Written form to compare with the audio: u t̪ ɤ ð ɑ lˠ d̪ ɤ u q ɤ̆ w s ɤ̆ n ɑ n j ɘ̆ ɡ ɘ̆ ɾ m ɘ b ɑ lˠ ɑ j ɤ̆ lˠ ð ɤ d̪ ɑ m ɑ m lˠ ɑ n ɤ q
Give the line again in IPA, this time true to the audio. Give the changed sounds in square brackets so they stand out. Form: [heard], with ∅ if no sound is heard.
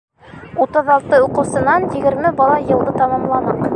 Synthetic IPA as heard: u t̪ ɤ ð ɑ lˠ [t̪] ɤ u q ɤ̆ w s ɤ̆ n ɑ n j ɘ̆ ɡ ɘ̆ ɾ m ɘ b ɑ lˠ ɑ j ɤ̆ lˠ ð ɤ [t̪] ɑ m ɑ m lˠ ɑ n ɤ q